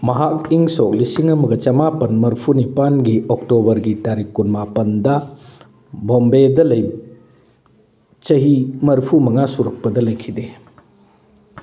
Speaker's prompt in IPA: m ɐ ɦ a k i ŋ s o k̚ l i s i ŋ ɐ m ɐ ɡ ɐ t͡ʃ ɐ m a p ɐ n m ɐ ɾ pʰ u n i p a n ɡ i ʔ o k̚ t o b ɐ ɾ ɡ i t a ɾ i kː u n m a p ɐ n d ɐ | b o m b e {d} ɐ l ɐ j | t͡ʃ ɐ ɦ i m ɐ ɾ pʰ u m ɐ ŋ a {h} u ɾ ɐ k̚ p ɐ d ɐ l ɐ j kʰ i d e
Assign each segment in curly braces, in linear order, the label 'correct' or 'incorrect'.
correct, incorrect

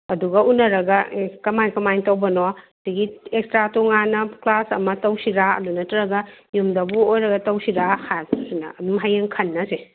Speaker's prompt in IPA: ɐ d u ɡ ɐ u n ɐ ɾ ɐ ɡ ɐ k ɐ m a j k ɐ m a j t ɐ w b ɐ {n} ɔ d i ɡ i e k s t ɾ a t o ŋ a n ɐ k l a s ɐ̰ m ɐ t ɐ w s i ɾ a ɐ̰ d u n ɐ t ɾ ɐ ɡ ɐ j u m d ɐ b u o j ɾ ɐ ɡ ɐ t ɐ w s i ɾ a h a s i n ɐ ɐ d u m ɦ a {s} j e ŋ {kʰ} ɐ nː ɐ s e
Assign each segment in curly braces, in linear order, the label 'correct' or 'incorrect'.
correct, incorrect, correct

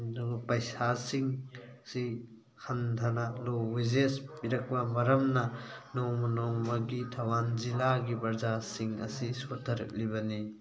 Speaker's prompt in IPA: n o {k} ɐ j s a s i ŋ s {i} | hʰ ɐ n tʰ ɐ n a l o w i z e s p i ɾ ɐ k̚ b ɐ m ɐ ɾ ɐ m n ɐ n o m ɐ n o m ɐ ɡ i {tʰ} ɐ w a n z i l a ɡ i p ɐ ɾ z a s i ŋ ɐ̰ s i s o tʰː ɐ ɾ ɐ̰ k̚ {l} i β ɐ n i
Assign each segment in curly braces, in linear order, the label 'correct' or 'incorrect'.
incorrect, correct, correct, correct

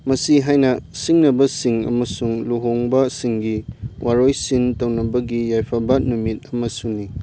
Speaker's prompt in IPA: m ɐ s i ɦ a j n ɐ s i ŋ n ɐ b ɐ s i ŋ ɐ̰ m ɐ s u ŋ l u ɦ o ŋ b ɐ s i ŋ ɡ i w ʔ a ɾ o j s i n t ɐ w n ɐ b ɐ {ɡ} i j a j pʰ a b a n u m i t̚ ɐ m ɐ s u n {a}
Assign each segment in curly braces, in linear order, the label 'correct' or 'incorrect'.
correct, incorrect

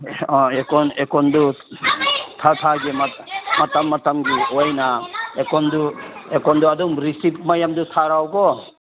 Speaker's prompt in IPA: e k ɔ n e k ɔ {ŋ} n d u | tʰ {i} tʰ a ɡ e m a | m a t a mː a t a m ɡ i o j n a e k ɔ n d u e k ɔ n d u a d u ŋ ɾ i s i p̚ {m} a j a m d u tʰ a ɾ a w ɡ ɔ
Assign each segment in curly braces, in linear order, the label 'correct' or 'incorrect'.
incorrect, incorrect, correct

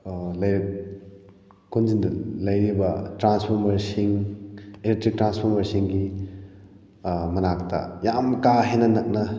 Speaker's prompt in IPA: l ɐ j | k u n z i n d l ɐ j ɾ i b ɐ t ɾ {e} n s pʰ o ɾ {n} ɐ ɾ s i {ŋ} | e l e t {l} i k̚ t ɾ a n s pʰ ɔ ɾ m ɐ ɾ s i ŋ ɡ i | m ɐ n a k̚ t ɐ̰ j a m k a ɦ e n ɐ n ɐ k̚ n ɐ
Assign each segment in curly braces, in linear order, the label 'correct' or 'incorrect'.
incorrect, incorrect, correct, incorrect

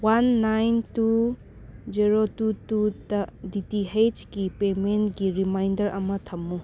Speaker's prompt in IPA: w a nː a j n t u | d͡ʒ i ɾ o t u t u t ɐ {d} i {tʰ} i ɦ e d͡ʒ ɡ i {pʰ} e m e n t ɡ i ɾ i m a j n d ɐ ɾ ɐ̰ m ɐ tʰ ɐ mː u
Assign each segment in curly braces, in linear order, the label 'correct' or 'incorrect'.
correct, incorrect, incorrect

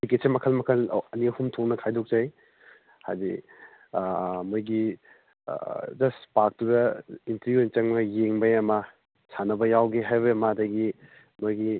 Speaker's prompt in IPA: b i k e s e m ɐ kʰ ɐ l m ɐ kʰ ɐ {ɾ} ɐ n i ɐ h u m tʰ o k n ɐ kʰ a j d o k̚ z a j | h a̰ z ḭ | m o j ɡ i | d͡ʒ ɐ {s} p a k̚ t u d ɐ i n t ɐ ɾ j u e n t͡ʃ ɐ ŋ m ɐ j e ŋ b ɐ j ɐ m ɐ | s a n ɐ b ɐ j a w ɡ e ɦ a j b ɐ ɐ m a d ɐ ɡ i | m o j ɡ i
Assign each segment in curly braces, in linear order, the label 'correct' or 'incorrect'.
incorrect, correct

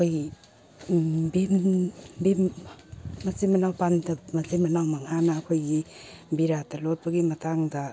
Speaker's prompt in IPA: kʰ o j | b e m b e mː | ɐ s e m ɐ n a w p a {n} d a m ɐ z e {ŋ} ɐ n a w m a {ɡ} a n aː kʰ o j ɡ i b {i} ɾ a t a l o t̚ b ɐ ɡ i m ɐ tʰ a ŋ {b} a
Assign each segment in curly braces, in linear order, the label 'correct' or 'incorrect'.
correct, incorrect, incorrect, correct, incorrect

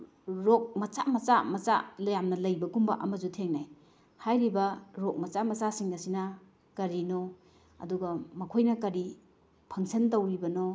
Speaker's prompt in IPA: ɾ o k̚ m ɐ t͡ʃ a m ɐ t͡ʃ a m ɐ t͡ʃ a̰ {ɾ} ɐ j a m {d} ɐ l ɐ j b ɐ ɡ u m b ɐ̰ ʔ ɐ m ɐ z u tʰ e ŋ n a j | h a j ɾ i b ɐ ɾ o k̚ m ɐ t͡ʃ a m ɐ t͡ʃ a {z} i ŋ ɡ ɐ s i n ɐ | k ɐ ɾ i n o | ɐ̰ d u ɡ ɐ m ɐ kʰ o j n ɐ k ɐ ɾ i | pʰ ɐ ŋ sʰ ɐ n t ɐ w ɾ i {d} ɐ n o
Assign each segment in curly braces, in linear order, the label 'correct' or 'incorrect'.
incorrect, incorrect, incorrect, incorrect

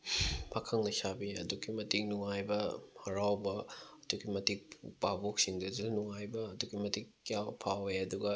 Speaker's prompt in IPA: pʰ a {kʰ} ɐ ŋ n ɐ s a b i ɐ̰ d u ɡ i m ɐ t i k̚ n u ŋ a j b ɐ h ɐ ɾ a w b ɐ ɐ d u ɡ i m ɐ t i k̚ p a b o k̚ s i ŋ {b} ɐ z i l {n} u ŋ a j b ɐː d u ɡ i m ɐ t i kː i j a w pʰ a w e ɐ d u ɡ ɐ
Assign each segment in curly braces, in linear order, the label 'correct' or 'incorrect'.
correct, incorrect, correct

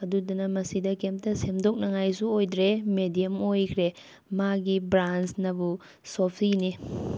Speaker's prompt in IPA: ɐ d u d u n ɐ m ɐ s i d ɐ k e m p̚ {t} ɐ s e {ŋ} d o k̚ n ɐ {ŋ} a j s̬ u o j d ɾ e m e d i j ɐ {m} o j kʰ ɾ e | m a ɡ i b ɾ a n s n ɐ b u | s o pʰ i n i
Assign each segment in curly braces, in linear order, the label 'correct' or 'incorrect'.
correct, incorrect, correct, correct

